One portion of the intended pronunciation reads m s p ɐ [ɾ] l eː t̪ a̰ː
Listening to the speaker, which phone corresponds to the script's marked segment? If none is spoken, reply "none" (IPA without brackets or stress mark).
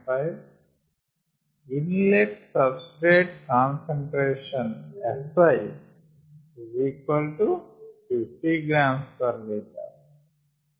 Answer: ɾ